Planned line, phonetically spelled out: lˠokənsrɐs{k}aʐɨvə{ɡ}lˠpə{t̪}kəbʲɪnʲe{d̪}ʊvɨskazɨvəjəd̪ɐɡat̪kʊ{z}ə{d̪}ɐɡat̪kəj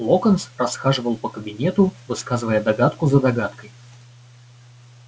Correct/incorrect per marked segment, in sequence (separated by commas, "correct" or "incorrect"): incorrect, incorrect, incorrect, incorrect, correct, correct